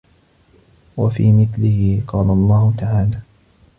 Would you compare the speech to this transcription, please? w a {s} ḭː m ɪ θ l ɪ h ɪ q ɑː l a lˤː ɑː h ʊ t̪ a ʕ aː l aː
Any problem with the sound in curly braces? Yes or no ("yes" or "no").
yes